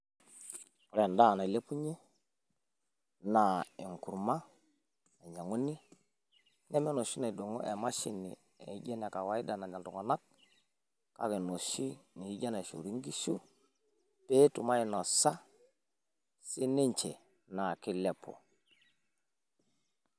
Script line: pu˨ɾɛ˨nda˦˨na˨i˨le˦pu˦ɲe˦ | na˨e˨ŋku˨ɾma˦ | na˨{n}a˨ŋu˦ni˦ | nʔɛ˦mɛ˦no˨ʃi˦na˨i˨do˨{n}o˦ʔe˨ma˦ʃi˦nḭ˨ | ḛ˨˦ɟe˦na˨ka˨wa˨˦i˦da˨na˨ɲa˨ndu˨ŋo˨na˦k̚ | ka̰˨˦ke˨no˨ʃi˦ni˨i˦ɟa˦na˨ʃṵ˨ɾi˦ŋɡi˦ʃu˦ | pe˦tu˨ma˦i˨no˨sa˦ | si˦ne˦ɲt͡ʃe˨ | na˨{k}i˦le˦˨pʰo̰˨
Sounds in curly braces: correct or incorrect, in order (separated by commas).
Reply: incorrect, incorrect, correct